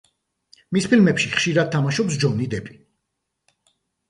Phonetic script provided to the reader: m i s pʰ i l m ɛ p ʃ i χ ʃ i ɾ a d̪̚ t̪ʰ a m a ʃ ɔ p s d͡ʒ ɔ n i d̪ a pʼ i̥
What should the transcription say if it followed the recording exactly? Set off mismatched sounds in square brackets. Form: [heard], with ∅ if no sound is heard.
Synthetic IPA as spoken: m i s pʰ i l m ɛ p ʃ i χ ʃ i ɾ a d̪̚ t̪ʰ a m a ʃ ɔ p s d͡ʒ ɔ n i d̪ [ɛ] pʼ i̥